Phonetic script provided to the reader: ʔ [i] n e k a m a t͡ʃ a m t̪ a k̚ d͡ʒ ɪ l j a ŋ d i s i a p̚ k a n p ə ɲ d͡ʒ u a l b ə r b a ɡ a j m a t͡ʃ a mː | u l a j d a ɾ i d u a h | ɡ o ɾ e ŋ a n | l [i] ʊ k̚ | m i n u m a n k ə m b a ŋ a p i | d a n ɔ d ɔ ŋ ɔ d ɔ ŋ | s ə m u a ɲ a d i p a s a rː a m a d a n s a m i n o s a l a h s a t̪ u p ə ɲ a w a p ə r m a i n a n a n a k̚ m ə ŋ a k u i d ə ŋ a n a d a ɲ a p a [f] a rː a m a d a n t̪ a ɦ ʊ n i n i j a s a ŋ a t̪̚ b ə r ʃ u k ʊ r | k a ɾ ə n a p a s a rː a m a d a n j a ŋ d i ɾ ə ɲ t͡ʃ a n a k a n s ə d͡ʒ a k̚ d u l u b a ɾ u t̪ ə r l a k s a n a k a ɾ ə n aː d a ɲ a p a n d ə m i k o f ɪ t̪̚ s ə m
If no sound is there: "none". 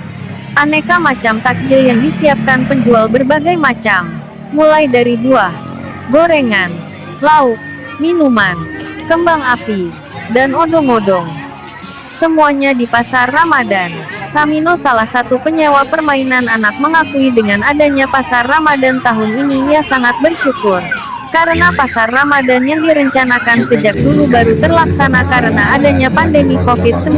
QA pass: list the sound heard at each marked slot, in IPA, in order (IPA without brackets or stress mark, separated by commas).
a, a, s